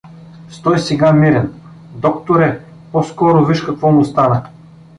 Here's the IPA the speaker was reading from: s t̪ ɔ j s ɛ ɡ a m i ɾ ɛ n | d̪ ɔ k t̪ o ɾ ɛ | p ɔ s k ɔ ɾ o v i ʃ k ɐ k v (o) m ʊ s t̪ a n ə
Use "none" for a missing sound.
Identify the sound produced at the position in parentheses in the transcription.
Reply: ɔ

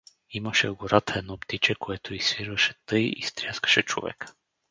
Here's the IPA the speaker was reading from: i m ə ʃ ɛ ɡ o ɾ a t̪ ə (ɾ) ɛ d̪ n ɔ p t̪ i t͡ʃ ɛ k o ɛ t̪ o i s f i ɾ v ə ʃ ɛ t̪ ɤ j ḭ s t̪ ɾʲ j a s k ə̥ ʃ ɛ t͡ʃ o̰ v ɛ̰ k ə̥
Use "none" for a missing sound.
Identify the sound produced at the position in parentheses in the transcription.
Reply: none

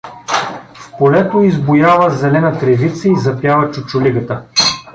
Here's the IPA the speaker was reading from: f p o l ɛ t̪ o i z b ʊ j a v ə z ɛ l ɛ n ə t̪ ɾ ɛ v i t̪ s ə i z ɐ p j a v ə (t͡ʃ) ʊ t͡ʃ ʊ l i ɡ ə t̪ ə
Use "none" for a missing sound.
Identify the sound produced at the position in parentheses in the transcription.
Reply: t͡ʃ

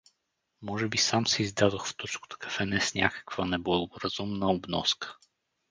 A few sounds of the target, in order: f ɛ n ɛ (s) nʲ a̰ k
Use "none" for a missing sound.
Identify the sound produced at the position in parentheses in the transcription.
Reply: s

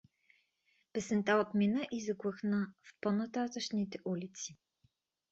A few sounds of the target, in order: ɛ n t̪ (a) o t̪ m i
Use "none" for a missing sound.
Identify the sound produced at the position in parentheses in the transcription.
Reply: a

